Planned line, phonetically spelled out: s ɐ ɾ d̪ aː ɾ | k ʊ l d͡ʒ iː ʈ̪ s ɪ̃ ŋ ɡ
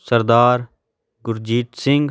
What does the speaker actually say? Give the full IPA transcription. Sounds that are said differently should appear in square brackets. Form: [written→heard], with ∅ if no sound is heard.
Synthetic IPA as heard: s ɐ ɾ d̪ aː ɾ | [k→ɡ] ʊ [l→ɾ] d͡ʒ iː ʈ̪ s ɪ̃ ŋ ɡ